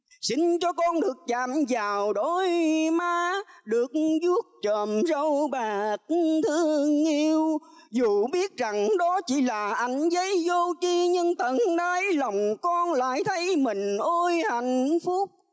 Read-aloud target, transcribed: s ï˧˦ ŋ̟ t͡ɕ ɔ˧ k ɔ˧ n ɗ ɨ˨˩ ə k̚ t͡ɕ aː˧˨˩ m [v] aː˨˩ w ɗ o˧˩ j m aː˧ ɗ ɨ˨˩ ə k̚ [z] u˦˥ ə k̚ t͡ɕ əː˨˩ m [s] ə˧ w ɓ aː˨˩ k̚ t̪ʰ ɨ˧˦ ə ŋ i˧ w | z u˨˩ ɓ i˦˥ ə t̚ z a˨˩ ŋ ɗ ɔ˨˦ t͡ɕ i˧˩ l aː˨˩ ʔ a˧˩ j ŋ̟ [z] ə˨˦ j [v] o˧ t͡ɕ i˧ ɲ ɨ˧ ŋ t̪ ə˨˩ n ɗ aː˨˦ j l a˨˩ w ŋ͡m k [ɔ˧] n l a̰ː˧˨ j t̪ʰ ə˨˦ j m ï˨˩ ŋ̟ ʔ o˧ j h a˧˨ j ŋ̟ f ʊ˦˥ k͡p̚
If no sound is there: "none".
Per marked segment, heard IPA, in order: z, z, z, z, z, ɔ˧

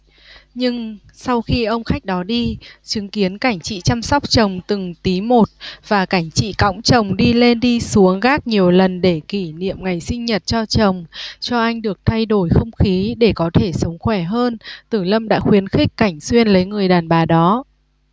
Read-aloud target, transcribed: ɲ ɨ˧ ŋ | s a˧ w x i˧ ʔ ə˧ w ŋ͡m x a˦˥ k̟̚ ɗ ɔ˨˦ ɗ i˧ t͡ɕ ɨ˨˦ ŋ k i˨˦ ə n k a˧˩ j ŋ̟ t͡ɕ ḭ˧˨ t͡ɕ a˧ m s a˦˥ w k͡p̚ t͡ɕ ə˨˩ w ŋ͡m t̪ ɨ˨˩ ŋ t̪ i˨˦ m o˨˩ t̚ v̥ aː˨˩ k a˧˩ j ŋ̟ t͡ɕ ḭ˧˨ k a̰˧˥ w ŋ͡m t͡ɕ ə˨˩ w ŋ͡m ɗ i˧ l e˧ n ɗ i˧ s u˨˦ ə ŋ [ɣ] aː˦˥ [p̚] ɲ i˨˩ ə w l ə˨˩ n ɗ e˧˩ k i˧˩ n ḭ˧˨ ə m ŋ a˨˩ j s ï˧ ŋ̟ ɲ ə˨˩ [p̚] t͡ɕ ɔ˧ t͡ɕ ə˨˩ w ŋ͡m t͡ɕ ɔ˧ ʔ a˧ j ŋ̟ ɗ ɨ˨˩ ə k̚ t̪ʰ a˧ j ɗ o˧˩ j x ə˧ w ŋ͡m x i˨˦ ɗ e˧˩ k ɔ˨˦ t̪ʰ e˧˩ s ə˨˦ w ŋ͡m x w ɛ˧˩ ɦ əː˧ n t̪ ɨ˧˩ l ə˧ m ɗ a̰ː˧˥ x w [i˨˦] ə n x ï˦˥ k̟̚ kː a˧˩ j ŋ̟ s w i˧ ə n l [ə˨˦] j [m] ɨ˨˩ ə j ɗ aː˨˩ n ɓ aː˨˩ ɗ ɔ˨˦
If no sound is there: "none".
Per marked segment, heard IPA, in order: ɣ, k̚, t̚, i˨˦, ə˨˦, ŋ

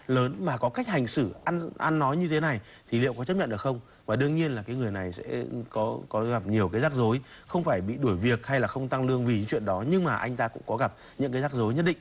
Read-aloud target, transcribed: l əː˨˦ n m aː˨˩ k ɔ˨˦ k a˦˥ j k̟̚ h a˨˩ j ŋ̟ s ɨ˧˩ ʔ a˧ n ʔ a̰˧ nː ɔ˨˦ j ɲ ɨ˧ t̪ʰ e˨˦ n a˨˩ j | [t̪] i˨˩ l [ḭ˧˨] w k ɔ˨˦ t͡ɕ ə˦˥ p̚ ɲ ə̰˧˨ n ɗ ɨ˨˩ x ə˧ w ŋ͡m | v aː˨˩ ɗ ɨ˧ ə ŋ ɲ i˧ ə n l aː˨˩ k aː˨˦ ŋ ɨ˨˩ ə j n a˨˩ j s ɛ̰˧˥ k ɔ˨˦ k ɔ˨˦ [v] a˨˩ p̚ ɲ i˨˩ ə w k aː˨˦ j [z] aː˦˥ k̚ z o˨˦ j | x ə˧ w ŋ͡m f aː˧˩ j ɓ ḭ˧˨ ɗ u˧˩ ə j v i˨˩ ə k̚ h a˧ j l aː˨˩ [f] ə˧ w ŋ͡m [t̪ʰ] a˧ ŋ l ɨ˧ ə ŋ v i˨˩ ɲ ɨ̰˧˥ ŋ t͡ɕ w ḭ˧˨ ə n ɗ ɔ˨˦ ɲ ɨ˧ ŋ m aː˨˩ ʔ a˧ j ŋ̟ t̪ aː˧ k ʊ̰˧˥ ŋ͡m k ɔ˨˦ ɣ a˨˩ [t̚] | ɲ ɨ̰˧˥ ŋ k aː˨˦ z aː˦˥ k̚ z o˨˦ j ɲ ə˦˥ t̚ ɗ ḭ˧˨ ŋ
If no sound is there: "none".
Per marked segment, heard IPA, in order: t̪ʰ, ḭ˧˨, ɣ, z, x, t̪, p̚

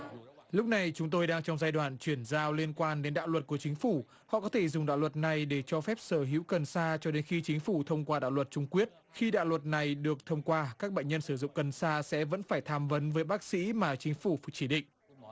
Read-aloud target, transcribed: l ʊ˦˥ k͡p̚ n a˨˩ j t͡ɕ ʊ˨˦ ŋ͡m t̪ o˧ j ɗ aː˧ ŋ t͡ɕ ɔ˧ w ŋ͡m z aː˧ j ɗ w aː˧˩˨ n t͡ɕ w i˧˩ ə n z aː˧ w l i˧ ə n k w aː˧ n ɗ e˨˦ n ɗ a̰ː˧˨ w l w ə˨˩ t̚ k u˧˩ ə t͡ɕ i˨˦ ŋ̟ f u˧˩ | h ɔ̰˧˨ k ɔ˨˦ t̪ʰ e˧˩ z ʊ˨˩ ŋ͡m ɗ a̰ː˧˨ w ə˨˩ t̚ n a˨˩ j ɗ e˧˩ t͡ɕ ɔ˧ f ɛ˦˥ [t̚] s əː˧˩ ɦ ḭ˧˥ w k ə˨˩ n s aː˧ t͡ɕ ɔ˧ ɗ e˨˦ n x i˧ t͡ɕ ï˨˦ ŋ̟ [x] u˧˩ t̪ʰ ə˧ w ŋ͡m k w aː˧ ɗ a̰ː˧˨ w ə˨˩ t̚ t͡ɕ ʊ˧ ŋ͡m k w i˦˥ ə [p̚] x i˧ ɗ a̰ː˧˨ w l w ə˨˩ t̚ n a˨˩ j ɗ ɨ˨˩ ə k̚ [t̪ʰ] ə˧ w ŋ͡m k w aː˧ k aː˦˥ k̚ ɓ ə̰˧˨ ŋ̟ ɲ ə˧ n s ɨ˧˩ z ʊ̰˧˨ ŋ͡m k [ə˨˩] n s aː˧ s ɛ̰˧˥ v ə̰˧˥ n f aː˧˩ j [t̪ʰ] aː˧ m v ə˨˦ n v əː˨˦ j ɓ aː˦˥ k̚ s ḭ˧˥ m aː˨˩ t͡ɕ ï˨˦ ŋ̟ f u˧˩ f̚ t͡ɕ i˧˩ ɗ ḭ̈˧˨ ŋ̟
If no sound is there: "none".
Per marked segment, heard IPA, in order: p̚, f, t̚, t̪ʰ, ə˨˩, t̪ʰ

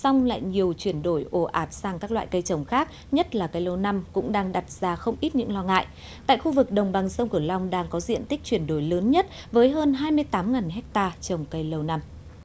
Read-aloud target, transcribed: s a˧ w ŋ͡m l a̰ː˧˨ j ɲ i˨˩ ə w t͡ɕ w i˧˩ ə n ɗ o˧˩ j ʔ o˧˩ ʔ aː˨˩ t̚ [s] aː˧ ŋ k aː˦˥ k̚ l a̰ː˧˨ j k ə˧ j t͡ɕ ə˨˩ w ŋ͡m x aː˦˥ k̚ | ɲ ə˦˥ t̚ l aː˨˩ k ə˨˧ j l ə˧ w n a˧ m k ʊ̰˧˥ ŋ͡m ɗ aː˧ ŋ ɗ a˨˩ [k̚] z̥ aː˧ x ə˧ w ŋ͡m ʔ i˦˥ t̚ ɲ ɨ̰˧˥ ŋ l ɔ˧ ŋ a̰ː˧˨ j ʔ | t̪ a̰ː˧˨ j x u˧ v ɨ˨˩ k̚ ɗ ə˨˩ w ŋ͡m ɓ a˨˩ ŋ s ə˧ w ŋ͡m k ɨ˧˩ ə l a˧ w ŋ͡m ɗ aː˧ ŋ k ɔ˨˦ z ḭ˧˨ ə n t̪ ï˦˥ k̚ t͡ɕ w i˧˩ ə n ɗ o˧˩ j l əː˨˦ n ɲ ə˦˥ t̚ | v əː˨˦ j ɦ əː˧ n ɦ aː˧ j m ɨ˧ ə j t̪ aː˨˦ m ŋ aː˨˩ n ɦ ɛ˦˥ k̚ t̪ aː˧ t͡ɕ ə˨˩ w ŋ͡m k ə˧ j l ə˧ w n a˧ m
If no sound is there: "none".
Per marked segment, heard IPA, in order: s, t̚

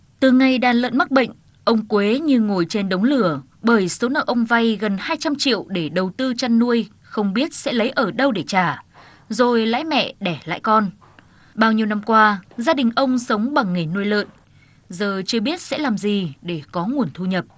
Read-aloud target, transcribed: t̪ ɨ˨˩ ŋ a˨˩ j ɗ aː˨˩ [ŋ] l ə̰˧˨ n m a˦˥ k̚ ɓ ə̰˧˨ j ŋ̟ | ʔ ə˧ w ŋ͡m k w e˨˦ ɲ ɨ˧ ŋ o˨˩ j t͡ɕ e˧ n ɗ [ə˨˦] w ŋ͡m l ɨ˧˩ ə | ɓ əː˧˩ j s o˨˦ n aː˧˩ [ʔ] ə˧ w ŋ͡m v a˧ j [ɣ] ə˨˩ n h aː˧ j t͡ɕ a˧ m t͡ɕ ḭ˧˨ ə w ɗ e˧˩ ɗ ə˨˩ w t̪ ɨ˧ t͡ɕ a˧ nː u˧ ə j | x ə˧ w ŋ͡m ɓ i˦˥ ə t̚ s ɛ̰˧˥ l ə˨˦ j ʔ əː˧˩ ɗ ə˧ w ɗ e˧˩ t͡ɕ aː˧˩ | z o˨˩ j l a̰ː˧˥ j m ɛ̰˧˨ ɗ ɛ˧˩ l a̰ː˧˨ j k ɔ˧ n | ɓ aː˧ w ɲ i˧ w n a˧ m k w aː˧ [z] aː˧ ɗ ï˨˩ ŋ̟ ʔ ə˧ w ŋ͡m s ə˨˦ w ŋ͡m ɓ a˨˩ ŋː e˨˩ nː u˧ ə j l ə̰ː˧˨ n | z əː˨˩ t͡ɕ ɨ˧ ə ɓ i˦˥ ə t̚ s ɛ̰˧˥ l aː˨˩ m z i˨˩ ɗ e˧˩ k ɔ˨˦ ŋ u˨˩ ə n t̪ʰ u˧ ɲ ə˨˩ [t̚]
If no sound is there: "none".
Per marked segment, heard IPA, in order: n, ə˨˦, ʔ, ɣ, z, p̚

